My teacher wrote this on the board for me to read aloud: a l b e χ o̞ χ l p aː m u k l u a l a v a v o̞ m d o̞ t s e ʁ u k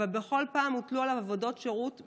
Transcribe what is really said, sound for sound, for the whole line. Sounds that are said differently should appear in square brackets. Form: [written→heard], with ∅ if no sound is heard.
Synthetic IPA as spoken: a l b e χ o̞ [χ→∅] l p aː m u [k→t] l u a l a v a v o̞ [m→∅] d o̞ t [s→ʃ] e ʁ u [k→t]